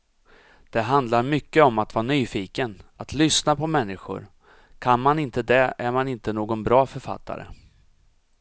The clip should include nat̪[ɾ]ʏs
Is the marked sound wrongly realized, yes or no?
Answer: yes